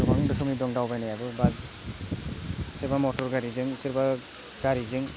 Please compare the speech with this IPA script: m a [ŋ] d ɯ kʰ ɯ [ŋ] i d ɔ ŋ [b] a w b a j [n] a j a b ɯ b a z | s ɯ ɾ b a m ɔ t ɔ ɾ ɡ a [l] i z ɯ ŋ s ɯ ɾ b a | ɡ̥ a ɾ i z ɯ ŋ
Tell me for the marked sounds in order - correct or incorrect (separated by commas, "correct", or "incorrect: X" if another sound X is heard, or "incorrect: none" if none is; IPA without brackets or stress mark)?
correct, incorrect: m, incorrect: d, correct, incorrect: ɾ